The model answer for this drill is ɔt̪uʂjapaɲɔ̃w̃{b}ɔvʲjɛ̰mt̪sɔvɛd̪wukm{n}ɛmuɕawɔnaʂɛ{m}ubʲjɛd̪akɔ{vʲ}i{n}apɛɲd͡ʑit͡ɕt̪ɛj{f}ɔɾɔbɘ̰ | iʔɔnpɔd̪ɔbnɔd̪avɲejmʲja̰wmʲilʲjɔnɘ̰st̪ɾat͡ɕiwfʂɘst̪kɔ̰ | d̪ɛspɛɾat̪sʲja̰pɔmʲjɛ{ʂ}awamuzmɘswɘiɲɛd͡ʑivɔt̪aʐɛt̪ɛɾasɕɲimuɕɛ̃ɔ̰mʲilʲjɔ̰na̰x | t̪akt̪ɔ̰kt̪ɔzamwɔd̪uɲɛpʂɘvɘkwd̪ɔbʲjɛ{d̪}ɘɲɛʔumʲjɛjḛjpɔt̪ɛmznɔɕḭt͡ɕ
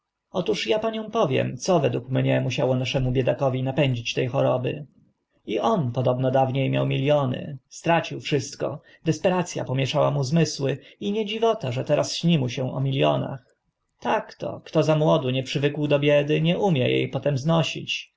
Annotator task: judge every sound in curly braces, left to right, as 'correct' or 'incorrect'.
incorrect: p, incorrect: ɲ, correct, correct, correct, incorrect: x, correct, correct

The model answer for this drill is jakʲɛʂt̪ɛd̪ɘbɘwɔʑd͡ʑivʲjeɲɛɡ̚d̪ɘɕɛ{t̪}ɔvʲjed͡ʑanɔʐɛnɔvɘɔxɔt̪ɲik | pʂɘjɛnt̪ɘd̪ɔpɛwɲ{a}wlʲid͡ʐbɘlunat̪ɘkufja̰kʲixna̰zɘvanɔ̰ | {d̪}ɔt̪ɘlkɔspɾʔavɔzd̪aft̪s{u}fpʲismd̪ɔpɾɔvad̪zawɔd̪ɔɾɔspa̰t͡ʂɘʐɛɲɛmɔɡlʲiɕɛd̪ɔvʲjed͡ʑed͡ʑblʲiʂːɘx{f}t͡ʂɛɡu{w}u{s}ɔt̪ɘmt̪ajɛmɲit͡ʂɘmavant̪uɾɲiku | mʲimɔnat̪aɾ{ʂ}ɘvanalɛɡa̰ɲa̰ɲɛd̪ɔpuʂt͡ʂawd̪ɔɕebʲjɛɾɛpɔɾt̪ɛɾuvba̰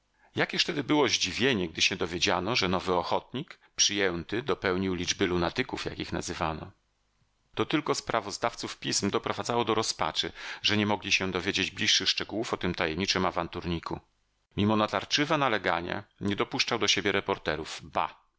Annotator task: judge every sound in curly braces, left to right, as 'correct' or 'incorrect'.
incorrect: d̪, incorrect: i, incorrect: t̪, correct, incorrect: ʂ, correct, incorrect: f, incorrect: t͡ʂ

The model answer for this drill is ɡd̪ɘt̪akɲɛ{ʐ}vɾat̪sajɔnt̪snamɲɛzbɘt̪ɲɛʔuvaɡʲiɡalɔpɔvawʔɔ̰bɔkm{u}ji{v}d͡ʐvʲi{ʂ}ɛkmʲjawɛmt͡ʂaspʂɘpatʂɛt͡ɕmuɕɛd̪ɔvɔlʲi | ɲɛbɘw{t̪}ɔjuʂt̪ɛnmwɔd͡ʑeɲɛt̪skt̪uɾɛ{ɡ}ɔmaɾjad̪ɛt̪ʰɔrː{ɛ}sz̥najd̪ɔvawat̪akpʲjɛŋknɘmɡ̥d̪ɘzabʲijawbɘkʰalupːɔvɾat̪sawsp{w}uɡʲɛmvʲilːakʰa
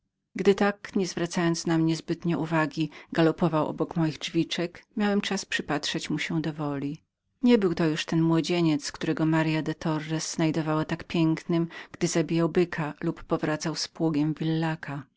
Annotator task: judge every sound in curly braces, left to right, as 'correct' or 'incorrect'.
incorrect: z, incorrect: ɔ, incorrect: ɣ, incorrect: t͡ʂ, correct, correct, correct, correct

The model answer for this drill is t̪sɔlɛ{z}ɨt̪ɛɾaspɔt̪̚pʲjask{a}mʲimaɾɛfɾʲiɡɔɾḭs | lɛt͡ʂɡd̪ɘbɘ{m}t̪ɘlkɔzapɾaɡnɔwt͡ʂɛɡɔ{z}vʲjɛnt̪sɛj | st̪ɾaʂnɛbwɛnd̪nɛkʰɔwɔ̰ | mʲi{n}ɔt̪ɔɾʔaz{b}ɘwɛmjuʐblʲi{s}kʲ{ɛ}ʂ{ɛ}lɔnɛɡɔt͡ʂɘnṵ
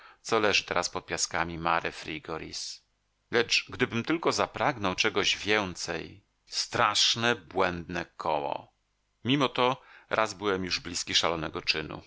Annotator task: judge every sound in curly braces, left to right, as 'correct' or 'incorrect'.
incorrect: ʐ, correct, correct, incorrect: ʑ, incorrect: m, correct, correct, incorrect: i, incorrect: a

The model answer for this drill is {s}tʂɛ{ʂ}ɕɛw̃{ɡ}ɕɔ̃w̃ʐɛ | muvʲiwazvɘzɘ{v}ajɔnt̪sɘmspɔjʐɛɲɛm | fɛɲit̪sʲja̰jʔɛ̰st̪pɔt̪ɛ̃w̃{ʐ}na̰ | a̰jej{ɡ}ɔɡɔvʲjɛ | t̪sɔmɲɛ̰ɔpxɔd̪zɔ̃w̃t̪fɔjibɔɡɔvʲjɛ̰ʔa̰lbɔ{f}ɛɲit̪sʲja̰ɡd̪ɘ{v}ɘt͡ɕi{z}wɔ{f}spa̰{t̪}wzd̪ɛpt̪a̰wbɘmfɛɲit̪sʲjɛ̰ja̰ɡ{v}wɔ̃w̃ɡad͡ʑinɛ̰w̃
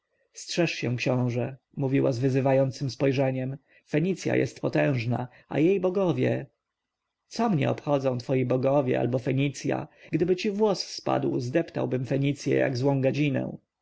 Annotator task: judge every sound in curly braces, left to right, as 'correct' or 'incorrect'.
correct, correct, incorrect: k, correct, correct, incorrect: b, correct, incorrect: b, incorrect: v, incorrect: s, incorrect: d̪, incorrect: z

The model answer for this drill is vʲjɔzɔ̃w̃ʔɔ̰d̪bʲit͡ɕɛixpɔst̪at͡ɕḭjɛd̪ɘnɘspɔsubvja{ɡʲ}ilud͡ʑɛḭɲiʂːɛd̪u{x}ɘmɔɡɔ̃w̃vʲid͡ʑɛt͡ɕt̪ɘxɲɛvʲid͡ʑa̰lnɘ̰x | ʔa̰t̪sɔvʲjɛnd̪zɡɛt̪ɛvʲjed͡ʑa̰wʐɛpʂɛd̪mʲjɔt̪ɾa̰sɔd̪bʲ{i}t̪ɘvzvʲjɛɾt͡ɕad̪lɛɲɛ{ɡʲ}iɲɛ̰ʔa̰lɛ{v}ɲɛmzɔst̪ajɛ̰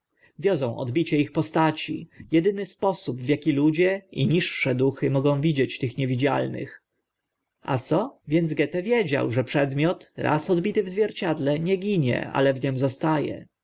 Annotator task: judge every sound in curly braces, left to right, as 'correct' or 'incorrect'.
incorrect: kʲ, correct, correct, correct, correct

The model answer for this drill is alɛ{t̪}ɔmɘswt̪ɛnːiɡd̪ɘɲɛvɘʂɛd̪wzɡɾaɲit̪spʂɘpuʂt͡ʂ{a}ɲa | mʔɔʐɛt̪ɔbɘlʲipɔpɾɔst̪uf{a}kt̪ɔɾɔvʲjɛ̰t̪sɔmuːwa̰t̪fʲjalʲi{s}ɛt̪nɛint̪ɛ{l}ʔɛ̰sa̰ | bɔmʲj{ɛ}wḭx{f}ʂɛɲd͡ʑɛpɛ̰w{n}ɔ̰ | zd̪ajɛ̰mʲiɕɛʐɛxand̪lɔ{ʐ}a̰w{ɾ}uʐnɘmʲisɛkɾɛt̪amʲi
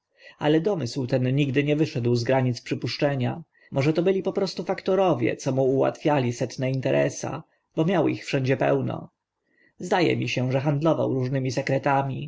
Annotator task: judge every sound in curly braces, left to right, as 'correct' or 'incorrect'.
incorrect: d̪, incorrect: ɛ, correct, correct, incorrect: ɾ, incorrect: a, correct, correct, incorrect: v, correct

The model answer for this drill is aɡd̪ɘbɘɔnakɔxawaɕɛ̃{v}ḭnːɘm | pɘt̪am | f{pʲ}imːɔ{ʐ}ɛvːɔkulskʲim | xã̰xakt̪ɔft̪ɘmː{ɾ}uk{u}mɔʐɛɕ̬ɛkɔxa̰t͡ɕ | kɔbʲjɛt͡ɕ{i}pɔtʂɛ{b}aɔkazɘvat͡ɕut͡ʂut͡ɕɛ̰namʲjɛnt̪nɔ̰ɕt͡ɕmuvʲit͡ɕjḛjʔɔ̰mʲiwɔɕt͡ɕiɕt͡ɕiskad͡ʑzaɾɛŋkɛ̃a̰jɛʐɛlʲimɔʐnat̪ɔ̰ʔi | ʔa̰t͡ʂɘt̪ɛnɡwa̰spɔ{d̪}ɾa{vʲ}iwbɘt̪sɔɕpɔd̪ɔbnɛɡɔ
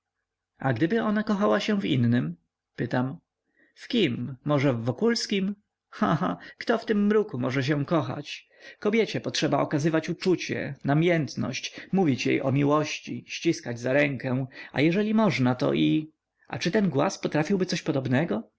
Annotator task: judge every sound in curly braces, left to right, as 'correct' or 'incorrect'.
correct, incorrect: kʲ, correct, correct, correct, incorrect: ɛ, correct, incorrect: t̪, incorrect: fʲ

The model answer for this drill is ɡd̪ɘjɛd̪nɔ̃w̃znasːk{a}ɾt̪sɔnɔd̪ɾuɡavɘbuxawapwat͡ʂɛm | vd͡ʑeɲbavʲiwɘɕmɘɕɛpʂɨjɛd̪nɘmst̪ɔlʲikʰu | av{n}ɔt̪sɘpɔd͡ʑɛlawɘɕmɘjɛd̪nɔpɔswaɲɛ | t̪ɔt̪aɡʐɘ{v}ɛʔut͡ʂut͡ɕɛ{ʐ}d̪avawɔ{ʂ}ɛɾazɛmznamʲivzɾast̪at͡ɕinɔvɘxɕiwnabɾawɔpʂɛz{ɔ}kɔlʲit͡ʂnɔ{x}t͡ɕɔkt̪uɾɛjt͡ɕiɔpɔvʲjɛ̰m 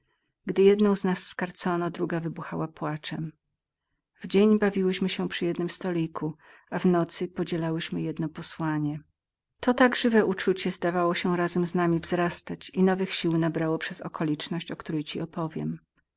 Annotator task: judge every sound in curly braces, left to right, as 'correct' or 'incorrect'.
correct, correct, correct, incorrect: z, incorrect: ɕ, correct, incorrect: ɕ

